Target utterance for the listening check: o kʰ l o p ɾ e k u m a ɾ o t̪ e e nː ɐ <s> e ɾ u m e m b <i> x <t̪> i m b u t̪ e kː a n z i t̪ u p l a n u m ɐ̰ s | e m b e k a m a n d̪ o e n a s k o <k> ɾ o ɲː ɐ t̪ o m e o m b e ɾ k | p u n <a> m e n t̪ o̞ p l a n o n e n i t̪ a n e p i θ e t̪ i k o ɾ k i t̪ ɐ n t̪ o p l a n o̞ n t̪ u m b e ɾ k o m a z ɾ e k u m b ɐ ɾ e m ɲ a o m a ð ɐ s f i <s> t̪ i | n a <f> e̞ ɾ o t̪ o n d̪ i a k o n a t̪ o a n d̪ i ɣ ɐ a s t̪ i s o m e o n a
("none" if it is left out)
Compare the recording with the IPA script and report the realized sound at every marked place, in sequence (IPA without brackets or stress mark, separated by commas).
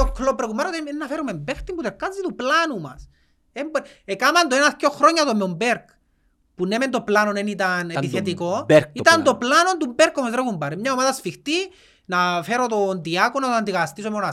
f, e, t̪, x, e, x, f